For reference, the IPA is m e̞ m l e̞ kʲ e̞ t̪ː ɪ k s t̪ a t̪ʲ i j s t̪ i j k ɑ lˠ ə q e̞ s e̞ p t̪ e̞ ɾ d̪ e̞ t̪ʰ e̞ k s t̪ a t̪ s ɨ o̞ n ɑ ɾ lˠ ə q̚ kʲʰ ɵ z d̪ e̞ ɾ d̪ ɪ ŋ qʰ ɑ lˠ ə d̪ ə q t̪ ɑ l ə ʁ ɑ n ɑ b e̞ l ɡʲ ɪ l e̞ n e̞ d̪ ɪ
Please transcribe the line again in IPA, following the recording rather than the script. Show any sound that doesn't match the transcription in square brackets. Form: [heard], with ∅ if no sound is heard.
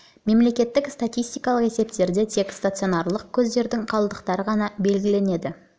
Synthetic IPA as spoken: m e̞ m l e̞ kʲ e̞ t̪ː ɪ k s t̪ a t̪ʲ i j s t̪ i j k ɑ lˠ ə q e̞ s e̞ p t̪ e̞ ɾ d̪ e̞ t̪ʰ e̞ k s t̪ a t̪ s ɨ o̞ n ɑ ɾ lˠ ə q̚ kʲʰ ɵ z d̪ e̞ ɾ d̪ ɪ ŋ qʰ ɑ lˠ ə d̪ ə q t̪ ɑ [ɾ] ə ʁ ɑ n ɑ b e̞ l ɡʲ ɪ l e̞ n e̞ d̪ ɪ

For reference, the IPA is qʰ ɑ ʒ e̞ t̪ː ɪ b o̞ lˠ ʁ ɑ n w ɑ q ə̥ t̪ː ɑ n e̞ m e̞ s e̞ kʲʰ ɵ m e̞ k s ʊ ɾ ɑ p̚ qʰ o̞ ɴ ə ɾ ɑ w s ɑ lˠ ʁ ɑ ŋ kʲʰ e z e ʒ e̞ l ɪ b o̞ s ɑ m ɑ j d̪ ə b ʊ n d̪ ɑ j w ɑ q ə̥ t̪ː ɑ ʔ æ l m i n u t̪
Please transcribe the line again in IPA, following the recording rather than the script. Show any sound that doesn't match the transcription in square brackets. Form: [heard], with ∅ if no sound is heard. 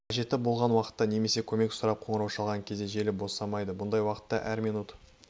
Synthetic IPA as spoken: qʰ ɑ ʒ e̞ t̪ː ɪ b o̞ lˠ ʁ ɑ n w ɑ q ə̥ t̪ː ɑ n e̞ m e̞ s e̞ kʲʰ ɵ m e̞ k s ʊ ɾ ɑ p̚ qʰ o̞ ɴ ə ɾ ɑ w [ʃ] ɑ lˠ ʁ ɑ ŋ kʲʰ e z e ʒ e̞ l ɪ b o̞ s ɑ m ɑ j d̪ ə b ʊ n d̪ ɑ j w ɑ q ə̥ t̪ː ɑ ʔ æ [ɾ] m i n u t̪

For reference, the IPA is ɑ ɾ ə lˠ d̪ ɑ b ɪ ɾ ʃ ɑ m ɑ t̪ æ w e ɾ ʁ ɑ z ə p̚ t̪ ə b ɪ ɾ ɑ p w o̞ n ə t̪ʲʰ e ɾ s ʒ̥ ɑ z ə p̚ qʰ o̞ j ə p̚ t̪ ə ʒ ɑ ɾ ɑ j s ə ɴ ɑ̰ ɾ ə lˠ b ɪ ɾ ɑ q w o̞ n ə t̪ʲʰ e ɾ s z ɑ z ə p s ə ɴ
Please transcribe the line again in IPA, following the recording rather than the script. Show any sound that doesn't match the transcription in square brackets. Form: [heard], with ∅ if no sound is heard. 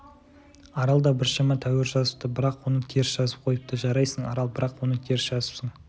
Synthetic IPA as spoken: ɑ ɾ [ɑ] lˠ d̪ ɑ b ɪ ɾ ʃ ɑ m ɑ [t̪ʰ] æ w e ɾ [ʒ] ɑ z ə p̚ t̪ ə b ɪ ɾ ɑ [q] w o̞ n ə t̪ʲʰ e ɾ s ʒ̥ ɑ z ə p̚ qʰ o̞ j ə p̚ t̪ ə ʒ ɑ ɾ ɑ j s ə ɴ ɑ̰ ɾ [ɑ] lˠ b ɪ ɾ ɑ q w o̞ n ə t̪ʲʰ e ɾ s [ʒ] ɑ z ə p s ə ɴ

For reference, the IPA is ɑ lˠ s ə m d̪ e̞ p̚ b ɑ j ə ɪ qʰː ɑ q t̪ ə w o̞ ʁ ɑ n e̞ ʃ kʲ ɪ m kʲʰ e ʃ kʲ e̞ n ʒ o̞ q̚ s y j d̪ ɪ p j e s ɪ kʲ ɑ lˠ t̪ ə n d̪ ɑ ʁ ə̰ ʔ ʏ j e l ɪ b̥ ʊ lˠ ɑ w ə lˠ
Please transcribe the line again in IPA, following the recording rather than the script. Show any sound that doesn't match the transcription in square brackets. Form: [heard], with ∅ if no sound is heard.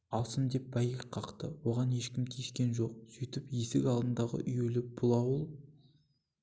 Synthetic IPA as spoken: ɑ lˠ s ə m d̪ e̞ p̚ b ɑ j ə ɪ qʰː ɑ q t̪ ə w o̞ ʁ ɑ n e̞ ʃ kʲ ɪ m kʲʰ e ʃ kʲ e̞ n ʒ o̞ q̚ s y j [t̪] ɪ p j e s ɪ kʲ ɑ lˠ [d̪] ə n d̪ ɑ ʁ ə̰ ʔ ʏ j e l ɪ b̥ ʊ lˠ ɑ w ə lˠ

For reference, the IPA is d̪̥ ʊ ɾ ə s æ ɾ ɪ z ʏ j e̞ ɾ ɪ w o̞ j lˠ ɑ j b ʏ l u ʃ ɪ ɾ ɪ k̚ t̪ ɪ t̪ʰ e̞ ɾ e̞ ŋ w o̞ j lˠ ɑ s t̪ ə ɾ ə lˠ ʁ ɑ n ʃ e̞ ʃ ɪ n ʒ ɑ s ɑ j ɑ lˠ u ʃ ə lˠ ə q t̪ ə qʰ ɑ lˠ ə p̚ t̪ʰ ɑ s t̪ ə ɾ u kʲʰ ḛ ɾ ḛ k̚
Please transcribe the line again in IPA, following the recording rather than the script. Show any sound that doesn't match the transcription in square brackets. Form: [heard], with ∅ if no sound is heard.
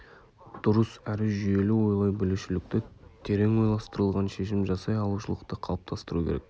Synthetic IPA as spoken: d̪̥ ʊ ɾ ə s æ ɾ ɪ [ʒ] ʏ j e̞ [l] ɪ w o̞ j lˠ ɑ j b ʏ l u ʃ ɪ [l] ɪ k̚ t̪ ɪ t̪ʰ e̞ ɾ e̞ ŋ w o̞ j lˠ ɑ s t̪ ə ɾ ə lˠ ʁ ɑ n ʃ e̞ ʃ ɪ [m] ʒ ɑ s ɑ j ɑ lˠ u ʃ ə lˠ ə q t̪ ə qʰ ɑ lˠ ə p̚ t̪ʰ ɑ s t̪ ə ɾ u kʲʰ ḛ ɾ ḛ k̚

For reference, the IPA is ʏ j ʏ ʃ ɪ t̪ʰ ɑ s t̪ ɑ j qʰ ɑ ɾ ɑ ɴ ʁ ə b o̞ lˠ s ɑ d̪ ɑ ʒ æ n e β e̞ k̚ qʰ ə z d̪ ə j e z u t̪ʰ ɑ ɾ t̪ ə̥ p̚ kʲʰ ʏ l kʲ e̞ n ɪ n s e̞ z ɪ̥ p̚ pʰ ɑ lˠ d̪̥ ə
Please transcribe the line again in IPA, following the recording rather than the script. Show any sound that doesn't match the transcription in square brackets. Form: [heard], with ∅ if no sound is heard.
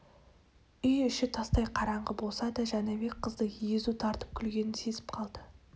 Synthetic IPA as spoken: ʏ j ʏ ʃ ɪ t̪ʰ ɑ s t̪ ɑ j qʰ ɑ ɾ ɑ ɴ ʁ ə b o̞ lˠ s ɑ d̪ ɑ ʒ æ n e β e̞ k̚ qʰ ə z d̪ ə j e z u t̪ʰ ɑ ɾ t̪ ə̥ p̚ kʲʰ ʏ l [ɡʲ] e̞ n ɪ n s e̞ z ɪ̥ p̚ [qʰ] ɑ lˠ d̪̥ ə

